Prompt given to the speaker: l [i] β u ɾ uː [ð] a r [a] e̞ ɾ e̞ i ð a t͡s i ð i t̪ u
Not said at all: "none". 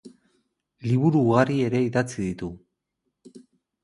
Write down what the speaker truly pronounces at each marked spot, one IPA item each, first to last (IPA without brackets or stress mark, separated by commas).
i, ɣ, i